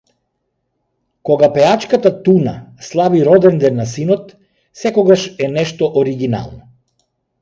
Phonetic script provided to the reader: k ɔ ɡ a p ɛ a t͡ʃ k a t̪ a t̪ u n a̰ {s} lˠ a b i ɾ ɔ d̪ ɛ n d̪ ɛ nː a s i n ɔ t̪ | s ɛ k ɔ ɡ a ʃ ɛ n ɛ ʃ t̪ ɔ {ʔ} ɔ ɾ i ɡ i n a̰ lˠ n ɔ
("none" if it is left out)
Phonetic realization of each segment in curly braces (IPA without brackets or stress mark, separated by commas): s, ʔ